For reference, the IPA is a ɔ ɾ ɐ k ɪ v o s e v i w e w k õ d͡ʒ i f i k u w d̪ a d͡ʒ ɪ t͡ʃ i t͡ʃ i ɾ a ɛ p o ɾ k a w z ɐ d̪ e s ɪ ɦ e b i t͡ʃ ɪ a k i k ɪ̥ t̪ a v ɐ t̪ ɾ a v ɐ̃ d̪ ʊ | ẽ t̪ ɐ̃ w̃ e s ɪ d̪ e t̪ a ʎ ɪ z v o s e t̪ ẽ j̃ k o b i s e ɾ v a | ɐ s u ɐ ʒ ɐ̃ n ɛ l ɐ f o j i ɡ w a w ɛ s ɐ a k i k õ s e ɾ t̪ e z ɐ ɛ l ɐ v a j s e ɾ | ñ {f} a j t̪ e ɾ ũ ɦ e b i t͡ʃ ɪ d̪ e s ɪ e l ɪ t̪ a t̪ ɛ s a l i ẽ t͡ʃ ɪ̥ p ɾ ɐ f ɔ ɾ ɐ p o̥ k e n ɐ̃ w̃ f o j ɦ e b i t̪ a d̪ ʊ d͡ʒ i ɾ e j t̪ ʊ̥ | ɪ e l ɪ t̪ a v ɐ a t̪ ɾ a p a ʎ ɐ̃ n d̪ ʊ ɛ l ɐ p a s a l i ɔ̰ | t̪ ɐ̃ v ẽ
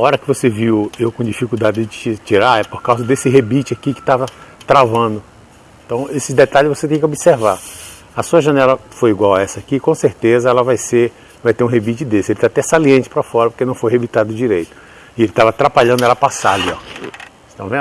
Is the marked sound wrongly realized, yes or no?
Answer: yes